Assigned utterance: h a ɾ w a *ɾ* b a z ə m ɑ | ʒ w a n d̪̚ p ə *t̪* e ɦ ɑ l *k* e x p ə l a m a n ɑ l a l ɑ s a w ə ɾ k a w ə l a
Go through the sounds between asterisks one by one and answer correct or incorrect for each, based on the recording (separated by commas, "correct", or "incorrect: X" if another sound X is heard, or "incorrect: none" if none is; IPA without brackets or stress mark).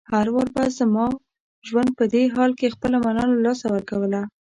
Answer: correct, incorrect: d̪, correct